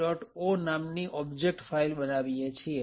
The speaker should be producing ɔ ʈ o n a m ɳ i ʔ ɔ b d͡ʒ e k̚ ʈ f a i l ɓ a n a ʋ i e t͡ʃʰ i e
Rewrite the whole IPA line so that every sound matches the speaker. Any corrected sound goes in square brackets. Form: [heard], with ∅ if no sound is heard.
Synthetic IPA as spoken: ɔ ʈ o n a m [n] i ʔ ɔ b d͡ʒ e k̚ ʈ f a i l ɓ [ə] n a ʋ i e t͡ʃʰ i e